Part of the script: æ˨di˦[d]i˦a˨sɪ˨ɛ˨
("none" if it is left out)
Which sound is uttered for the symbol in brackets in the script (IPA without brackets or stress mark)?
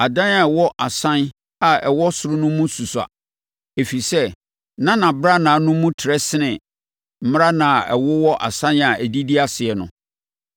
d